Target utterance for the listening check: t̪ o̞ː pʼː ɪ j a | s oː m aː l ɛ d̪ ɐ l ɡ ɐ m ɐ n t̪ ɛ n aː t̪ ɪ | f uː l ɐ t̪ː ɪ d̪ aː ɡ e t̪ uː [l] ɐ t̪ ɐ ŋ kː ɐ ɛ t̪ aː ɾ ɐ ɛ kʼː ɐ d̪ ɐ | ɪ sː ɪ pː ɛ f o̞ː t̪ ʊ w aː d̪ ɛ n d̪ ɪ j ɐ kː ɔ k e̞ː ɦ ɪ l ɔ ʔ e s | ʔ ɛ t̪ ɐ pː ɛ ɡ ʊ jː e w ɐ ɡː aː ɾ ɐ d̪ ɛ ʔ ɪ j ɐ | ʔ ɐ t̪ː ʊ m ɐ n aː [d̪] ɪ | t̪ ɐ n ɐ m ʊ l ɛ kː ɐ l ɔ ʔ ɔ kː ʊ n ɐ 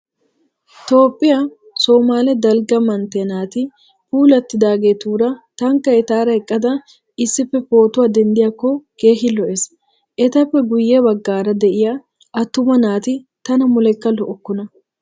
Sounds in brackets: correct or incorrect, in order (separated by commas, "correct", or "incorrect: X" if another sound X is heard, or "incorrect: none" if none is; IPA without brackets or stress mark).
incorrect: ɾ, incorrect: t̪